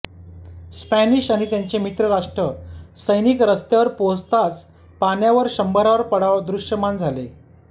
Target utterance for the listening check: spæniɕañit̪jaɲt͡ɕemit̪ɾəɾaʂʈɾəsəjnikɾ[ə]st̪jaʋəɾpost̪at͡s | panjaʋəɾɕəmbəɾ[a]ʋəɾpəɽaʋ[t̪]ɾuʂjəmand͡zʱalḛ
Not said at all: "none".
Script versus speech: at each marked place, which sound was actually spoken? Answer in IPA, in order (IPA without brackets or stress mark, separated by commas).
ə, a, d̪